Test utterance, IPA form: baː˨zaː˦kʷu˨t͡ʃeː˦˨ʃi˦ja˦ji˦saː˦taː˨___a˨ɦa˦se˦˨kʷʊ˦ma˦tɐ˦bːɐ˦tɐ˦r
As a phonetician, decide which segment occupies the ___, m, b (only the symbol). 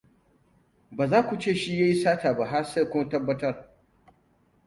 b